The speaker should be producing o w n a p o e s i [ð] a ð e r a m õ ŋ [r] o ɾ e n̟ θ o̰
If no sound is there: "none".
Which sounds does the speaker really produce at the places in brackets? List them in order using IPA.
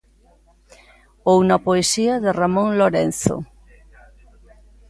none, l

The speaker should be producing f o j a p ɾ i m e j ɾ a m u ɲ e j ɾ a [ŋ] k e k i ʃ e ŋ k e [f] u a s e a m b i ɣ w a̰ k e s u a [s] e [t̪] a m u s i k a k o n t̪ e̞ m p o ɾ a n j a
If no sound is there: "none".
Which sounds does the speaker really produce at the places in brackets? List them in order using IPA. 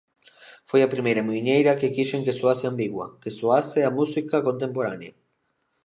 none, s, s, none

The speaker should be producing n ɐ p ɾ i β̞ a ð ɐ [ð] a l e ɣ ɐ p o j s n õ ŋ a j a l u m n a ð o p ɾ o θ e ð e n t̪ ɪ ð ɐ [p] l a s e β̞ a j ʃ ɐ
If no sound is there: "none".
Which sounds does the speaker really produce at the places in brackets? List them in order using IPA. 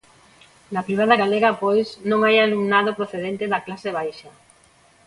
ɣ, k

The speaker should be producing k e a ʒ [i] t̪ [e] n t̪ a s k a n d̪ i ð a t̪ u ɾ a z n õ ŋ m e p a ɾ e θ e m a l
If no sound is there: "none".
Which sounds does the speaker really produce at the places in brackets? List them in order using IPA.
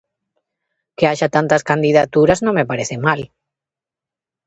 a, a

